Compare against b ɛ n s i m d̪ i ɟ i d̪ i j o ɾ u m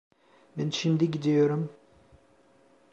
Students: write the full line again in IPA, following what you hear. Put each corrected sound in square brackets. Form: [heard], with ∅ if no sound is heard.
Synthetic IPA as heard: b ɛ n [ʃ] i m d̪ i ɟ i d̪ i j o ɾ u m